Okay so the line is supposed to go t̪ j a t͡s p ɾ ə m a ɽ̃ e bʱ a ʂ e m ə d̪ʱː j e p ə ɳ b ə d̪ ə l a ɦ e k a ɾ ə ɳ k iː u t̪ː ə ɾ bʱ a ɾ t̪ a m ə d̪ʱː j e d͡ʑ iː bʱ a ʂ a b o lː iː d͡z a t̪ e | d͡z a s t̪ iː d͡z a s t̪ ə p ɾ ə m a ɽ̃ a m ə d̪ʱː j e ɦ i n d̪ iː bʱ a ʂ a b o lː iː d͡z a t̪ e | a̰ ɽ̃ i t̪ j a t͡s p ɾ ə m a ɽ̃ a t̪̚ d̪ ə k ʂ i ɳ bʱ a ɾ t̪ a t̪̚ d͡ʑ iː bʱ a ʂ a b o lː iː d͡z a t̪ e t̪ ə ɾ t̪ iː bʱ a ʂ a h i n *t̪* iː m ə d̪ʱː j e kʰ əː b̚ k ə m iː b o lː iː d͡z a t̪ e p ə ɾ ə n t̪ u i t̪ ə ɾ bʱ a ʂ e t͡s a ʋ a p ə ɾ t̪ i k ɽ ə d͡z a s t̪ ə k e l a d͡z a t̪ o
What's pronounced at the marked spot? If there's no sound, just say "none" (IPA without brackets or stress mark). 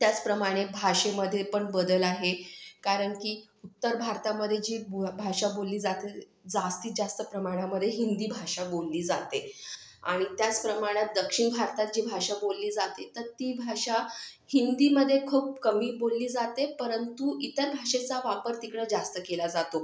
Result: d̪